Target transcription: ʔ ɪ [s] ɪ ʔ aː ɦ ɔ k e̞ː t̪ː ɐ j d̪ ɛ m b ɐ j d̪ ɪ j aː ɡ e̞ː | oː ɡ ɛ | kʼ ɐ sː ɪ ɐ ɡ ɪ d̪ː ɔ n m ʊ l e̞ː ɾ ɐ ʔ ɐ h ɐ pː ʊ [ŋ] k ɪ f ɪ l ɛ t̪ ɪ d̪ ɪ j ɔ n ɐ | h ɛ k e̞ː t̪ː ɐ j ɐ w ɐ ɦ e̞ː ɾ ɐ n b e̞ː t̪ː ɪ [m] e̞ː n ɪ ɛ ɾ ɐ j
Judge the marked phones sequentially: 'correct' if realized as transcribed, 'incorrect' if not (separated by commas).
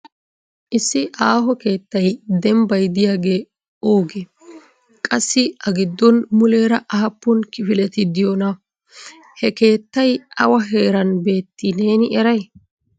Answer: incorrect, incorrect, incorrect